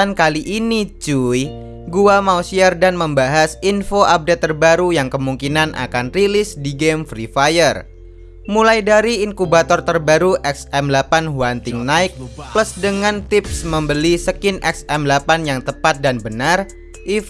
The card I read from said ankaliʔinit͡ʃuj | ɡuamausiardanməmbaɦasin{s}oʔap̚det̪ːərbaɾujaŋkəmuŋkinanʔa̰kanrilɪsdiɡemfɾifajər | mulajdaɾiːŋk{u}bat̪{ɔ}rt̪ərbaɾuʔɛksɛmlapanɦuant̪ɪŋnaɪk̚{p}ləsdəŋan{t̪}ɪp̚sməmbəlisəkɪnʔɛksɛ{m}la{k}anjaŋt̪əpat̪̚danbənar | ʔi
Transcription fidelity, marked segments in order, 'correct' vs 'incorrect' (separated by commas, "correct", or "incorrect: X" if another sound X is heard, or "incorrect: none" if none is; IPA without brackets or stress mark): incorrect: f, correct, correct, correct, correct, correct, incorrect: p